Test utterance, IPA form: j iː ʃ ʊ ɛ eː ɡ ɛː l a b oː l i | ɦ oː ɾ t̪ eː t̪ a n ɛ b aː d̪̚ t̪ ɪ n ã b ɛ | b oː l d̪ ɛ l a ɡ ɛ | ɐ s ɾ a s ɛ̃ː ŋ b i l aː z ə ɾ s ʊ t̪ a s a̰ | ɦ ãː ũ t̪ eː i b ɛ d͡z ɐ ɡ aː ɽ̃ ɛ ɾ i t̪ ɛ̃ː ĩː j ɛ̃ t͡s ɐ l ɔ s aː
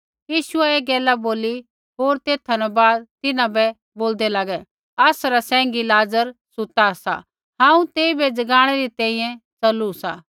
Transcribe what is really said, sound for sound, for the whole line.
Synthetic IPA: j iː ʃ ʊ ɛ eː ɡ ɛː l a b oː l i | ɦ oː ɾ t̪ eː t̪ʰ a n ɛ b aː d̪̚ t̪ ɪ n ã b ɛ | b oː l d̪ ɛ l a ɡ ɛ | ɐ s ɾ a s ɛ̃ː ŋ ɡ i l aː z ə ɾ s ʊ t̪ a s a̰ | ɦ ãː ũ t̪ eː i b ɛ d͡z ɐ ɡ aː ɽ̃ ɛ ɾ i t̪ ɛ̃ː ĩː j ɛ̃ t͡s ɐ l u s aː